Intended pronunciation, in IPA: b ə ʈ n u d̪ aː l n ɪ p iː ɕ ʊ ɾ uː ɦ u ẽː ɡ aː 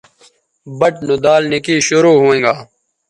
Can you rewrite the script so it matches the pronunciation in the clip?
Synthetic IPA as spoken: b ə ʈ n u d̪ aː l n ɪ k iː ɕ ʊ ɾ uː ɦ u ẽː ɡ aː